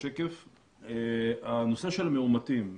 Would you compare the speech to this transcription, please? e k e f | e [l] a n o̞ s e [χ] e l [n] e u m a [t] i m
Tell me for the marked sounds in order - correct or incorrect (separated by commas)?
incorrect, incorrect, incorrect, correct